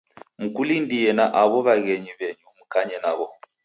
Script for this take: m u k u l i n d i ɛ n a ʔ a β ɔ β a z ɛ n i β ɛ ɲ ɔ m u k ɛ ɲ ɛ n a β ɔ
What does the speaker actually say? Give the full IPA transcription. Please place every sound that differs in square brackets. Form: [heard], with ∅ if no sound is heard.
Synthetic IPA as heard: m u k u l i n d i ɛ n a ʔ a β ɔ β a [ɣ] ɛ [ɲ] i β ɛ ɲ [u] m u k [a] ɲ ɛ n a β ɔ